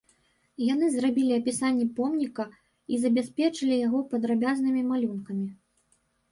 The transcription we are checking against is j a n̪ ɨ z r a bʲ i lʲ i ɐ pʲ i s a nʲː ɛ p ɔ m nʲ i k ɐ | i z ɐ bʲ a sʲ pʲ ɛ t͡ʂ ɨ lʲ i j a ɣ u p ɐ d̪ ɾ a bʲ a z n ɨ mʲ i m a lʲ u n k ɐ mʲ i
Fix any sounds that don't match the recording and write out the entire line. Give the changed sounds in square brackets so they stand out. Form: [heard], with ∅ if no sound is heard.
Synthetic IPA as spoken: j a n̪ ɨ z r a bʲ i lʲ i ɐ pʲ i s a nʲː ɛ p ɔ m nʲ i k ɐ | i z ɐ bʲ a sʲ pʲ ɛ t͡ʂ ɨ lʲ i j a ɣ [ɔ] p ɐ d̪ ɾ a bʲ a z n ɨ mʲ i m a lʲ u n k ɐ mʲ i